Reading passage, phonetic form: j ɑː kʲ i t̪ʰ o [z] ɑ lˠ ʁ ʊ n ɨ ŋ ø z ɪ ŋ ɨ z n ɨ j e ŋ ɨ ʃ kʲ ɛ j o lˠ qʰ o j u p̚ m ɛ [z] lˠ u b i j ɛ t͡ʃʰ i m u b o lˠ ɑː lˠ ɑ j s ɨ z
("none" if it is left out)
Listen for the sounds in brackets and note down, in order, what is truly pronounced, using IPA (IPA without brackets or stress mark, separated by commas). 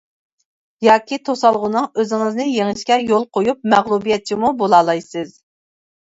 s, ʁ